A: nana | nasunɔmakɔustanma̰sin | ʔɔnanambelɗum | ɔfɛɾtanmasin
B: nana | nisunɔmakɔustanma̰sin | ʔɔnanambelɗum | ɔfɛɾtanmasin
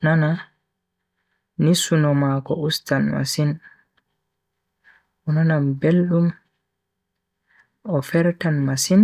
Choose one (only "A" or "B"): B